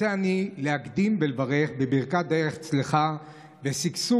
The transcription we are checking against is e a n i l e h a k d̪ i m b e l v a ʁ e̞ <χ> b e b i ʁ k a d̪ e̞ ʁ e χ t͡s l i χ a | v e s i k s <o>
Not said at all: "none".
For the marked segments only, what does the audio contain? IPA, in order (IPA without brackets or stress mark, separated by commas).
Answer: χ, u